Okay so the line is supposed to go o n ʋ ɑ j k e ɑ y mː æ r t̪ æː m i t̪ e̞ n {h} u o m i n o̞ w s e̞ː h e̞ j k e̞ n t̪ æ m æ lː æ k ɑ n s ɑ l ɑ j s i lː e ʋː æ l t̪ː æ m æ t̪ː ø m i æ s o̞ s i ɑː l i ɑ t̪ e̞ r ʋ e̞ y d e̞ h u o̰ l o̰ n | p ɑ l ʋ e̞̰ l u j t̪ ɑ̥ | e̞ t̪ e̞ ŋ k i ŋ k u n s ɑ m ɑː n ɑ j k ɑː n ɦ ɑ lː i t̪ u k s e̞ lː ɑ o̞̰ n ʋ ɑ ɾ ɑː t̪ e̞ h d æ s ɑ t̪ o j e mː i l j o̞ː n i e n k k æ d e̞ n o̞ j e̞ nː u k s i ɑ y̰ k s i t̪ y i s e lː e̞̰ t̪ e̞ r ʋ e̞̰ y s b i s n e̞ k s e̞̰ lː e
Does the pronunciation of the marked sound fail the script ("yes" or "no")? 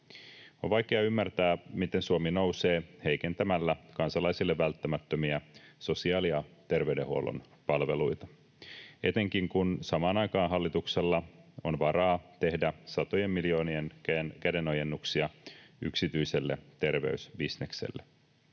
yes